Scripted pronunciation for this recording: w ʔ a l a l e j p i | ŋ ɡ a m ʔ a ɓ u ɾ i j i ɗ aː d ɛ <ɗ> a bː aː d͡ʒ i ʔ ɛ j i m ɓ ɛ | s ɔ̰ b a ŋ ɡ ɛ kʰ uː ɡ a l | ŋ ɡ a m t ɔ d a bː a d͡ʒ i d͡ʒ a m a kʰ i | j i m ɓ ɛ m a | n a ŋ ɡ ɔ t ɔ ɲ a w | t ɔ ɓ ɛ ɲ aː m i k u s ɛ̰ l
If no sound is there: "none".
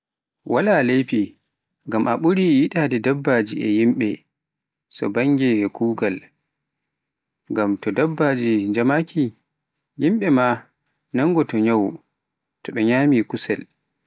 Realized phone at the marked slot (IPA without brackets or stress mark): d